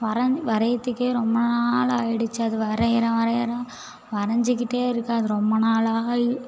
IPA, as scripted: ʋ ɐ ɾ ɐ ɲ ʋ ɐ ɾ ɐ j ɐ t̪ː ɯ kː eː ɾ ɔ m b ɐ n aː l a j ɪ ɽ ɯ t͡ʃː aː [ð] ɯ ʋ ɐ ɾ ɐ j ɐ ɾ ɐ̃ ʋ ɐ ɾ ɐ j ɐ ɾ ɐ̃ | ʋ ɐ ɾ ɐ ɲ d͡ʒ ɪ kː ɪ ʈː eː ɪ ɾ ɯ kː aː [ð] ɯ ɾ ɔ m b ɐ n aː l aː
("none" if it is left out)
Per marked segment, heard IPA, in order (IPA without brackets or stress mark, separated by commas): ð, ð